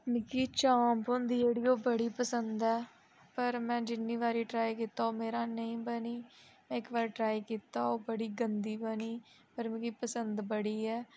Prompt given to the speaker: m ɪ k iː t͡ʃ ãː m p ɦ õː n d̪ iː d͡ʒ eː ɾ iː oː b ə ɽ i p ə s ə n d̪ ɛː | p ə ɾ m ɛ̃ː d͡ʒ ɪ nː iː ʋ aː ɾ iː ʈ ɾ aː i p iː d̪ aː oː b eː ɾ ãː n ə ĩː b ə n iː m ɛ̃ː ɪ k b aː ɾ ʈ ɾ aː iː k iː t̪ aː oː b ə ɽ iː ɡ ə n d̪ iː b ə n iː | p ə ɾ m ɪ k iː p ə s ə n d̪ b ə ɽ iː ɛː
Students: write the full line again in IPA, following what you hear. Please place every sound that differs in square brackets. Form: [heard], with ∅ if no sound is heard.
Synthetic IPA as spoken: m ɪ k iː t͡ʃ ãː m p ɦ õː n d̪ iː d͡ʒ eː [ɽ] iː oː b ə ɽ [iː] p ə s ə n d̪ ɛː | p ə ɾ m ɛ̃ː d͡ʒ ɪ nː iː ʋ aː ɾ iː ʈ ɾ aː i [k] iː [t̪] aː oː [m] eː ɾ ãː n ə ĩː b ə n iː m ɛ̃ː ɪ k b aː ɾ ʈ ɾ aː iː k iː t̪ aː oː b ə ɽ iː ɡ ə n d̪ iː b ə n iː | p ə ɾ m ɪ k iː p ə s ə n d̪ b ə ɽ iː ɛː